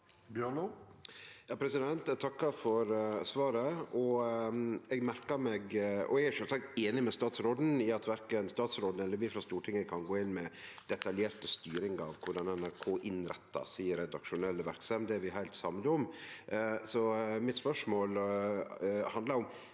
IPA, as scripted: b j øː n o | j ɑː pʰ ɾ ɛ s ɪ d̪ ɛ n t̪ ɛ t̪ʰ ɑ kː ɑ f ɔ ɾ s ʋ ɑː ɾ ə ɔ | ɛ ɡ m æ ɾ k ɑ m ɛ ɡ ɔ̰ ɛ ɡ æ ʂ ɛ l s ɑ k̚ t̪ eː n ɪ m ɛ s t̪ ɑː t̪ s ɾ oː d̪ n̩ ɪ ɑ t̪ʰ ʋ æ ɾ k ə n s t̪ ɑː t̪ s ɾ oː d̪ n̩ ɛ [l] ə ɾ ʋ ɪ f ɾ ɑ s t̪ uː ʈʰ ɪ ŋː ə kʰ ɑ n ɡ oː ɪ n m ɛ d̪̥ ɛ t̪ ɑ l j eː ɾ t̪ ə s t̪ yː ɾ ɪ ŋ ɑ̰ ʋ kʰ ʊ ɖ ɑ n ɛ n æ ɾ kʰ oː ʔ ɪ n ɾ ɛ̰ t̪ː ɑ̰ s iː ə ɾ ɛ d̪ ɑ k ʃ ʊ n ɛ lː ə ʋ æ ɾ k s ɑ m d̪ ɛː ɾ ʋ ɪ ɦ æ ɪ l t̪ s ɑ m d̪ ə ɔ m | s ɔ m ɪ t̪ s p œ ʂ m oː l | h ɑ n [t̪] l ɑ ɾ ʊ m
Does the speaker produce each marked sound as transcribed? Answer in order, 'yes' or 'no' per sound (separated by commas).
no, no